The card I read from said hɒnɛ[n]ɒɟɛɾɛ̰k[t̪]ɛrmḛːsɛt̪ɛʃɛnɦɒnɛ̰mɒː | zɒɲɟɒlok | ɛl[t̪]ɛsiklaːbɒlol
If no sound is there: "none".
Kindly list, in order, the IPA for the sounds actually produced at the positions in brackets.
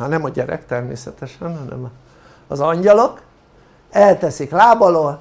m, t̪, t̪

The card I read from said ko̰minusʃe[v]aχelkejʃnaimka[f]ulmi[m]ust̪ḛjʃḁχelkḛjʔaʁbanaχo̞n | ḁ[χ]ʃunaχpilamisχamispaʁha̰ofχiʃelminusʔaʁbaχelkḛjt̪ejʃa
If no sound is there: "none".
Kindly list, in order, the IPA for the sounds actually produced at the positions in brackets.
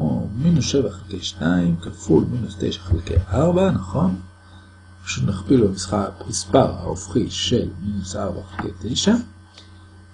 v, f, n, none

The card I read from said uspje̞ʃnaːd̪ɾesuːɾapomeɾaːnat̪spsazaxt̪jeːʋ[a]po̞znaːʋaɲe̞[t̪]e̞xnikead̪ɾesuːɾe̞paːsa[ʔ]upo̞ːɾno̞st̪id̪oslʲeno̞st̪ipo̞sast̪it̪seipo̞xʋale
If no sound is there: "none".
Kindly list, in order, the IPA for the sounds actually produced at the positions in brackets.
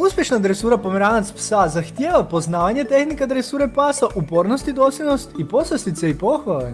a, t̪, ʔ

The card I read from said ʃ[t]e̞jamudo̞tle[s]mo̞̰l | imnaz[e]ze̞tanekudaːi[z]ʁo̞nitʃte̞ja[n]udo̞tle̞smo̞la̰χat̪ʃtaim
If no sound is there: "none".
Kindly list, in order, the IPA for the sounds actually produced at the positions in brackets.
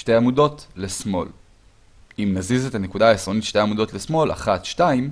t, s, i, s, m

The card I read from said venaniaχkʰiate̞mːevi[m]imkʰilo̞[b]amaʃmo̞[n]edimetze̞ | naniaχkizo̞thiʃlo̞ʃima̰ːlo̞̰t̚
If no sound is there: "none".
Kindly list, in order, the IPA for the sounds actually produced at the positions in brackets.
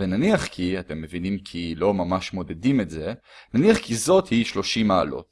n, m, d

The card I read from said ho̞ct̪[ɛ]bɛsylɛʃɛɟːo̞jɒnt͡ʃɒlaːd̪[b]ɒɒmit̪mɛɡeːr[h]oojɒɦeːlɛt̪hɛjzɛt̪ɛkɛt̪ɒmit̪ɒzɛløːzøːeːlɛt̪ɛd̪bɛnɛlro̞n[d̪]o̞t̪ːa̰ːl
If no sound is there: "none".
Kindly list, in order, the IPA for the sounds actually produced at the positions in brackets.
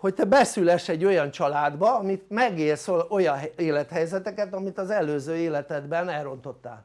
ɛ, b, s, t̪

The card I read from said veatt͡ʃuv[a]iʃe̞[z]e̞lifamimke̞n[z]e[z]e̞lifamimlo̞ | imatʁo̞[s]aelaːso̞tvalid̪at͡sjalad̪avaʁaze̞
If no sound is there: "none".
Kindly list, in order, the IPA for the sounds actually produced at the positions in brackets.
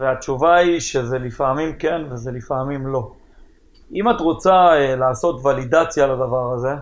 a, z, v, z, t͡s

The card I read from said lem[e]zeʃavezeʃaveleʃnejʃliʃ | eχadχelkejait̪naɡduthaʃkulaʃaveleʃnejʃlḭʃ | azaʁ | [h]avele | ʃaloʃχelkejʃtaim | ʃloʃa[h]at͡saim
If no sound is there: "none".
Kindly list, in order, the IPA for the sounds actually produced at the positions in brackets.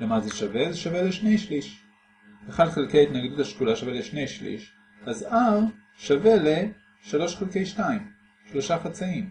a, ʃ, χ

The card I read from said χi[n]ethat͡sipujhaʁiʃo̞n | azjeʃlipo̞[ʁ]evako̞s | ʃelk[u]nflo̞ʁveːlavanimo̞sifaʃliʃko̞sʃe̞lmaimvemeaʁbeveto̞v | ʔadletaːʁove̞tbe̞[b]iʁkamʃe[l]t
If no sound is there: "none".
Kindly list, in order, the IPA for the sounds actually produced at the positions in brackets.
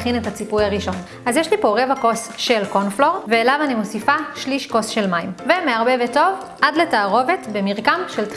n, ʁ, o, m, l

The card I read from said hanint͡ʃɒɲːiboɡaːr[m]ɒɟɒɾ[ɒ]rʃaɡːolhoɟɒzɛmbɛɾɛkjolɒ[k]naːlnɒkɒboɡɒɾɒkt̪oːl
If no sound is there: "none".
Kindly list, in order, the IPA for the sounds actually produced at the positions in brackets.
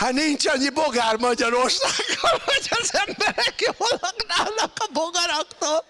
m, o, k

